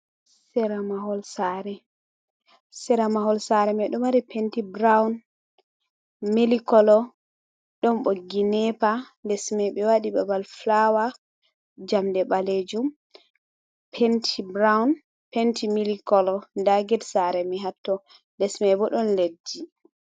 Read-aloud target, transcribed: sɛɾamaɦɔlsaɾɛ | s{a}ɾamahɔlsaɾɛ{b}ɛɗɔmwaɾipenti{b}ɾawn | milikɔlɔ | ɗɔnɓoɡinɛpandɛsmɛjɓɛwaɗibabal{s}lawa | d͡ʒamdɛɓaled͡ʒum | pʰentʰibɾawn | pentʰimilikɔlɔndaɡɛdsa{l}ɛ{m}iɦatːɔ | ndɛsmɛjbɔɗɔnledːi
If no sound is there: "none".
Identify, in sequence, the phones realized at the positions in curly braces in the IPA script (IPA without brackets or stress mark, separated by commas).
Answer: ɛ, m, b, f, ɾ, m